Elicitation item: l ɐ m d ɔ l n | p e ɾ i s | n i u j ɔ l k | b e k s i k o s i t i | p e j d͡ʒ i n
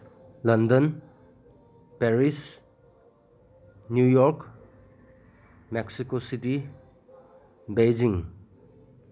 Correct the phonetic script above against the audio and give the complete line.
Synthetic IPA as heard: l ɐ n d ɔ n | p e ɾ i s | n j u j ɔ ɾ k | m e k s i k o s i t i | b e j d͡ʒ i ŋ